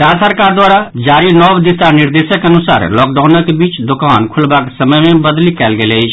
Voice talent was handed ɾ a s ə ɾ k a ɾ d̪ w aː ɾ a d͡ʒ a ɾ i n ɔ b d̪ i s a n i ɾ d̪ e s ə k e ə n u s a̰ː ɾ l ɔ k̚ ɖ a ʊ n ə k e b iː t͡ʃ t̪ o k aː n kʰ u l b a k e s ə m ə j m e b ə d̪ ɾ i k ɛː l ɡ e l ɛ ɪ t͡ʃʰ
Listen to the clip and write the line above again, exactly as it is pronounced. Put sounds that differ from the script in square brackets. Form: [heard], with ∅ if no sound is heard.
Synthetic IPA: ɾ a s ə ɾ k a ɾ d̪ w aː ɾ a d͡ʒ a ɾ i n ɔ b d̪ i s a n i ɾ d̪ e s ə k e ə n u s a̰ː ɾ l ɔ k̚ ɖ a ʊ n ə k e b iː t͡ʃ [d̪] o k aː n kʰ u l b a k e s ə m ə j m e b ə d̪ [l] i k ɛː l ɡ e l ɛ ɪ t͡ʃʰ